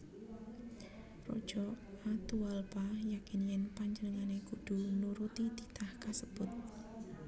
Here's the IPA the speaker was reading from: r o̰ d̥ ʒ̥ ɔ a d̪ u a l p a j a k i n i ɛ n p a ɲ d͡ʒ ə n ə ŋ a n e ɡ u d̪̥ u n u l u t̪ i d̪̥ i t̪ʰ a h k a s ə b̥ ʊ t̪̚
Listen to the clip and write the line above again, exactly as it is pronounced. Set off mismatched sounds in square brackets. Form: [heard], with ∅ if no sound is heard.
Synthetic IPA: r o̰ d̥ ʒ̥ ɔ a [t̪] u a l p a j a k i n [j] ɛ n p a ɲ d͡ʒ ə n ə ŋ a n e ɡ u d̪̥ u n u [ɾ] u t̪ i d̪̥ i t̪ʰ a h k a s ə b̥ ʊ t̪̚